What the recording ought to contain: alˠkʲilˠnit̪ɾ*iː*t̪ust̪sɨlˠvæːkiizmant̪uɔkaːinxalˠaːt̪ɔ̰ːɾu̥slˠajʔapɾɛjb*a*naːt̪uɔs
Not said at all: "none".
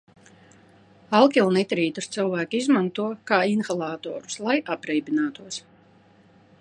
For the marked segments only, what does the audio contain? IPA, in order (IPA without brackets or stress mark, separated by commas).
iː, i